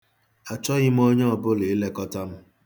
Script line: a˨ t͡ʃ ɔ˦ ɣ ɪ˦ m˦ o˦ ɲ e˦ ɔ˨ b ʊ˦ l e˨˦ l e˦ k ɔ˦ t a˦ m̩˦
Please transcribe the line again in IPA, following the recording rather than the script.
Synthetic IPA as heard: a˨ t͡ʃ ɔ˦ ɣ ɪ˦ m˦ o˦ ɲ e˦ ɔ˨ b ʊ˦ l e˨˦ l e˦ k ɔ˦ t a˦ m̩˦